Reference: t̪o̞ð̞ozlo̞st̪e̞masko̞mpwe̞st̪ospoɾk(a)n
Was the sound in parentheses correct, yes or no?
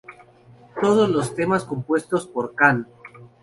yes